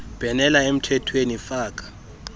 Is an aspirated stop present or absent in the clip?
present